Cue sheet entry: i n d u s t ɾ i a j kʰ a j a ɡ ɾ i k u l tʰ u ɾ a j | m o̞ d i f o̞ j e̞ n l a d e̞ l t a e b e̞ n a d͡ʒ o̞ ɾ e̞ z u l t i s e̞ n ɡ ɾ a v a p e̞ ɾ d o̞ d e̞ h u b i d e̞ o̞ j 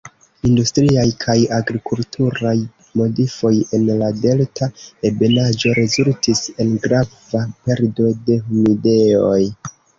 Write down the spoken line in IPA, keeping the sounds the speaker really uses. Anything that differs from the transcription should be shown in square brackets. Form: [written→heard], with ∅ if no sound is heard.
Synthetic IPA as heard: i n d u s t ɾ i a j kʰ a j a ɡ ɾ i k u l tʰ u ɾ a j | m o̞ d i f o̞ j e̞ n l a d e̞ l t a e b e̞ n a d͡ʒ o̞ ɾ e̞ z u l t i s e̞ n ɡ ɾ a v a p e̞ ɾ d o̞ d e̞ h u [b→m] i d e̞ o̞ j